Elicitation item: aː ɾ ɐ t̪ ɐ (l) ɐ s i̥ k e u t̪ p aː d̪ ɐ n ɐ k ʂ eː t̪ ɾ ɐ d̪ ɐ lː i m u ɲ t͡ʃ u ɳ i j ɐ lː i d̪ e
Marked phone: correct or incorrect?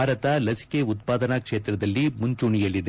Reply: correct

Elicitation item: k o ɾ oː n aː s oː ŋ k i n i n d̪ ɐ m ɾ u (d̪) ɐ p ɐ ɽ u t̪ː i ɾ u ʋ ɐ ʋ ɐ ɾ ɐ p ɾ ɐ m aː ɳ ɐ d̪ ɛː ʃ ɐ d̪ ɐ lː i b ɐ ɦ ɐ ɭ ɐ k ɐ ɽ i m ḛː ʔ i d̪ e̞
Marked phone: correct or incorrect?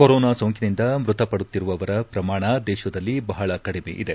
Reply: incorrect: t̪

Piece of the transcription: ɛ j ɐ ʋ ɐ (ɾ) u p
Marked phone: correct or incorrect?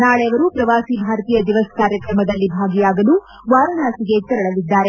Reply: correct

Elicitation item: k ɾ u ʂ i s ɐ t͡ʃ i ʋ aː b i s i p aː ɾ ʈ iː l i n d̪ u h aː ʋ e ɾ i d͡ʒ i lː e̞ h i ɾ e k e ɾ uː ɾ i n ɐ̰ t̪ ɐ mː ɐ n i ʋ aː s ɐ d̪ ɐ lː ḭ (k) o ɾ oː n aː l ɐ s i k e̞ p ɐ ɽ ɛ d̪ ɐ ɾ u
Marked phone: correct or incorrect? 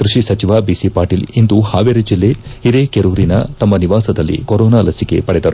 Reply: correct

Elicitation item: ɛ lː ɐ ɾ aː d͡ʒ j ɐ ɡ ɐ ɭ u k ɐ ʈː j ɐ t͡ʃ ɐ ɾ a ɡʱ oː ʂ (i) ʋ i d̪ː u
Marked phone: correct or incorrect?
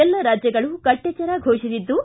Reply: correct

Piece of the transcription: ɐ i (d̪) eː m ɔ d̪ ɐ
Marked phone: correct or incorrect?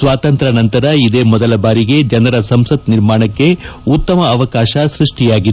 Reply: correct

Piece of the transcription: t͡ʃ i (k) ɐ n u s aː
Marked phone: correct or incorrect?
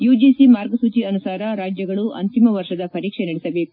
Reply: incorrect: none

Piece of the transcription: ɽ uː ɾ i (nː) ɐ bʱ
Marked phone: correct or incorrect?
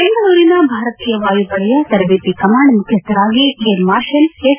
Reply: incorrect: n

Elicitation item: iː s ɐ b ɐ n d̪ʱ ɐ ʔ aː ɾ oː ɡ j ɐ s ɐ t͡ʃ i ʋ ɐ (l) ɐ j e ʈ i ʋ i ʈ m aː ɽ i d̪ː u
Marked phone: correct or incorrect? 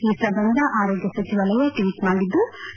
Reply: correct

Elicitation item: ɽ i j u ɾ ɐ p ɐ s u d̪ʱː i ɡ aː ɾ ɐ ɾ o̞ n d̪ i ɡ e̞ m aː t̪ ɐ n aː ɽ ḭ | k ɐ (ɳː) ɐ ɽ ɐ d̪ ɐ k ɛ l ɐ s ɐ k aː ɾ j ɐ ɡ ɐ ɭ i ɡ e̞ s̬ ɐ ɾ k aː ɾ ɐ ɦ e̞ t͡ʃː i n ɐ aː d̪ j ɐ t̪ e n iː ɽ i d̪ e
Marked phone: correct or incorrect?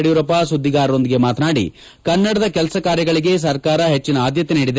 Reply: incorrect: nː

